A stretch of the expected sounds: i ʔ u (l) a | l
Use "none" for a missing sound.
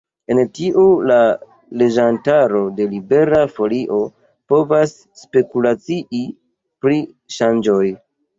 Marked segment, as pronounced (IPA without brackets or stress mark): l